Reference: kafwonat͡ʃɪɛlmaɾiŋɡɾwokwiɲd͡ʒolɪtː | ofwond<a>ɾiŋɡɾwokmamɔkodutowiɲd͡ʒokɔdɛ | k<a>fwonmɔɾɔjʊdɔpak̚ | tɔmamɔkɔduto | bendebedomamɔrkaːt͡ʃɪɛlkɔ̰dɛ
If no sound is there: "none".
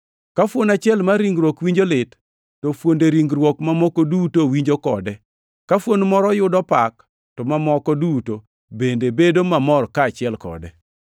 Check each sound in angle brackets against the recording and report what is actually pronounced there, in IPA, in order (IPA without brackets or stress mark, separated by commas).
e, a